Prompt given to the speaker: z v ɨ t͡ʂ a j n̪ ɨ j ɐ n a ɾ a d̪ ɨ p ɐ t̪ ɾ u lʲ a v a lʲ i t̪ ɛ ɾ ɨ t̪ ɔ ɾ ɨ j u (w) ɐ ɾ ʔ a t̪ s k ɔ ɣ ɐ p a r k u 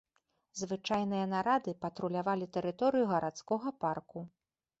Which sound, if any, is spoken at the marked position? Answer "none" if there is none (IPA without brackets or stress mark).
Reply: ɣ